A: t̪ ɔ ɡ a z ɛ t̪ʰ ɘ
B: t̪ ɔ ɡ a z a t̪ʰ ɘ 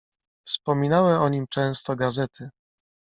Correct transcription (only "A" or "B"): A